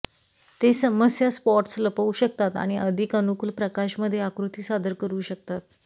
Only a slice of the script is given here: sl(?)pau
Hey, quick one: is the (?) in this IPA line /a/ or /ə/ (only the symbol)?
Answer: ə